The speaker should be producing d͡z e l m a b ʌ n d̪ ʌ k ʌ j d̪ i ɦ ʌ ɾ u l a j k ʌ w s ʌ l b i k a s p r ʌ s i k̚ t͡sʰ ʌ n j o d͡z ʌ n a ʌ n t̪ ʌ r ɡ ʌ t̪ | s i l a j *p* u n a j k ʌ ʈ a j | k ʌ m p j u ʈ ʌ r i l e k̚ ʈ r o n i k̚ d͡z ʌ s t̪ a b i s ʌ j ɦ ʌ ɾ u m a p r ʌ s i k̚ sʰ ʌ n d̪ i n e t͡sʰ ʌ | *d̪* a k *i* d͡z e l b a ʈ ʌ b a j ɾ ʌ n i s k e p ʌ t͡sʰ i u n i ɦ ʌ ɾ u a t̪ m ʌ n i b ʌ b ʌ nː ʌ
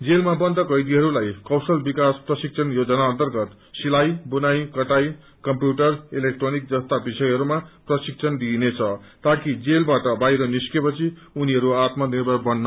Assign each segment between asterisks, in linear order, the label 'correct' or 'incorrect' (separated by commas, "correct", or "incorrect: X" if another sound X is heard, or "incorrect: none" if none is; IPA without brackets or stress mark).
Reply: incorrect: b, incorrect: t̪, correct